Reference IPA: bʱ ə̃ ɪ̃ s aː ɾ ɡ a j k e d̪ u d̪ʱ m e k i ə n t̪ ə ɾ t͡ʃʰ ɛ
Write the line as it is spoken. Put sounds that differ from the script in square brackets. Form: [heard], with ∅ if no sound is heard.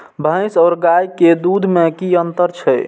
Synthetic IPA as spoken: bʱ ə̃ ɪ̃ s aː ɾ ɡ a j k e d̪ u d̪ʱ m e k i ə n t̪ ə ɾ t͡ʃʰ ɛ